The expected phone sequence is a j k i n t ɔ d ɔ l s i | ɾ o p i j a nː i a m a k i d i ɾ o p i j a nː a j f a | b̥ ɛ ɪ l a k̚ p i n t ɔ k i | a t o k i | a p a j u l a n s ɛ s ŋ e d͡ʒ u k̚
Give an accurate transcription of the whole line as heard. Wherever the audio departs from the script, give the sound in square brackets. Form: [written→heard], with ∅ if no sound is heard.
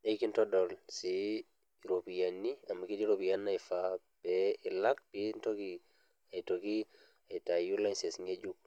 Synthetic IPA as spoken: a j k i n t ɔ d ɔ l s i | ɾ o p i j a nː i a m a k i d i ɾ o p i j a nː a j f a | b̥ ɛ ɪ l a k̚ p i n t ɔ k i | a t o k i | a [p→t] a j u l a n s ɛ s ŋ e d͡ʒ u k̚